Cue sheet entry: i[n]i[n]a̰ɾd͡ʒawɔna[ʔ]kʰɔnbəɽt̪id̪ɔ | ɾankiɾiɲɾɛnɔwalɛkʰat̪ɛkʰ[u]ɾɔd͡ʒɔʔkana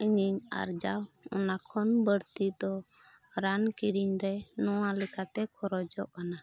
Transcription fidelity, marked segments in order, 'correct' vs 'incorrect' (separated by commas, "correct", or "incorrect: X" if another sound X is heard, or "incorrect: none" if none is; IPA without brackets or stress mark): incorrect: ɲ, incorrect: ɲ, incorrect: none, incorrect: ɔ